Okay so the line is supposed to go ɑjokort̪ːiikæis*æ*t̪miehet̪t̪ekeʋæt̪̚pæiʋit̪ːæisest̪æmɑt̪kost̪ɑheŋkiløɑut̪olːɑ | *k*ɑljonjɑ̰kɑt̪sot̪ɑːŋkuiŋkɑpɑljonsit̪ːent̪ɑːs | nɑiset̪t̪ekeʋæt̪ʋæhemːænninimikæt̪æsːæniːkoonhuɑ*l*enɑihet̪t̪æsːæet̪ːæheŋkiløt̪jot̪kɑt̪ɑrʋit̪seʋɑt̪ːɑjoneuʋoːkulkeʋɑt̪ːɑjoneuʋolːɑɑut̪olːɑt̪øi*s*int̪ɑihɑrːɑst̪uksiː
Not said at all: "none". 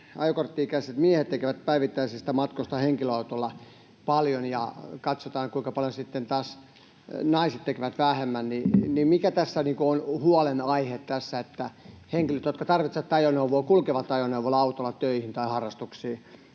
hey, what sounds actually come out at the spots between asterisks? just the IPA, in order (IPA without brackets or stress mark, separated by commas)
e, p, l, h